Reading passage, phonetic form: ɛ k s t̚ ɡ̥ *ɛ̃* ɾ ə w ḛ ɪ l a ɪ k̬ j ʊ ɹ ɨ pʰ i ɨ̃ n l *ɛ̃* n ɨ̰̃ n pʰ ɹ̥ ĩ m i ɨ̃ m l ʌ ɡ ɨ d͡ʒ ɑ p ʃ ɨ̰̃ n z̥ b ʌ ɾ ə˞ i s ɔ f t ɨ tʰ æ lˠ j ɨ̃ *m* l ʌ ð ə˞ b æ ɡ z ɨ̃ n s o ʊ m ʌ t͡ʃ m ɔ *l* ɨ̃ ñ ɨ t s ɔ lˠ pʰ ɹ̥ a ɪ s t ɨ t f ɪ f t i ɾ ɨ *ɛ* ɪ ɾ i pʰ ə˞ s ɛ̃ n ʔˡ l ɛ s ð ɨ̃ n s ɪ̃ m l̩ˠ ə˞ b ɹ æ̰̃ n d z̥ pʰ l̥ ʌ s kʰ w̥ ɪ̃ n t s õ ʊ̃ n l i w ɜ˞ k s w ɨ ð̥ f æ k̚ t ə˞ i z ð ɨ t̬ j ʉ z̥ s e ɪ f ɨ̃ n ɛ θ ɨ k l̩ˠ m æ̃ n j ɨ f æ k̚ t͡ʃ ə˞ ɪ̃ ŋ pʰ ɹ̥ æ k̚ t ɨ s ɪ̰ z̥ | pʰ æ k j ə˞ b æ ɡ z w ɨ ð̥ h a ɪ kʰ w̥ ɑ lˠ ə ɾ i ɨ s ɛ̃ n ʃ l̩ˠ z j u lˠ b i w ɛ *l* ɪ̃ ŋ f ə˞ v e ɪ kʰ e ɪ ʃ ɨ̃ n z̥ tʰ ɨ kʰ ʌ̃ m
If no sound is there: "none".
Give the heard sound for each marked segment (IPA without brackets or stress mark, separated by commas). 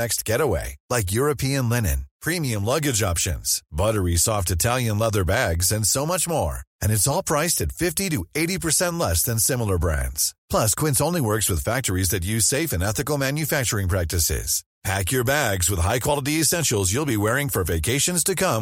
ɛ, ɛ, n, ɹ, e, ɹ